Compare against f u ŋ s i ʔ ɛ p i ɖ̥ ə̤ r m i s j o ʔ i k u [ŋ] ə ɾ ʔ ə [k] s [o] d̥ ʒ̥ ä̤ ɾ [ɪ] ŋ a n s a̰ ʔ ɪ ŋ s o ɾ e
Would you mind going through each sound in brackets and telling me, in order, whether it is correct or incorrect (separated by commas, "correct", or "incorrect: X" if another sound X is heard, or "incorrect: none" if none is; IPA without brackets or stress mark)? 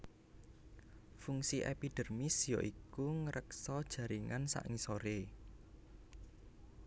correct, correct, incorrect: ɔ, incorrect: i